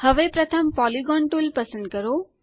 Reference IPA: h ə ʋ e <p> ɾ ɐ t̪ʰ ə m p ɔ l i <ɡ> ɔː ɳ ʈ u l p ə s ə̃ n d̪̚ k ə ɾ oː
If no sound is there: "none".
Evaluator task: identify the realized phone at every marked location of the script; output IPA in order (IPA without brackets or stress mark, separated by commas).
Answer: p, ɡ